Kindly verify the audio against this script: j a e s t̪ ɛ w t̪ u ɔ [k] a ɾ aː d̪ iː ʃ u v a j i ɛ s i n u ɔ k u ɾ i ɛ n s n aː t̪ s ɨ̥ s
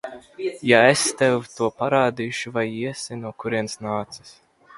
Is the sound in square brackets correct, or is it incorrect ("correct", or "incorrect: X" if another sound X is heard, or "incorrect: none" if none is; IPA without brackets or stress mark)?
incorrect: p